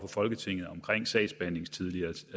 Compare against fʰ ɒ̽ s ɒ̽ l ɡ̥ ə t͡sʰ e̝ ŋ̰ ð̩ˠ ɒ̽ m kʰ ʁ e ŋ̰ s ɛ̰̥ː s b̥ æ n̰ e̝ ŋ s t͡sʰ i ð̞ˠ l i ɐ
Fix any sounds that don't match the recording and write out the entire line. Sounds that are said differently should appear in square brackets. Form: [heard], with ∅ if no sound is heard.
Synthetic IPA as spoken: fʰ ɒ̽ [f] ɒ̽ l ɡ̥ ə t͡sʰ e̝ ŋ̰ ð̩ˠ ɒ̽ m kʰ ʁ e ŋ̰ s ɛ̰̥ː s b̥ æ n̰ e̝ ŋ s t͡sʰ i ð̞ˠ l i ɐ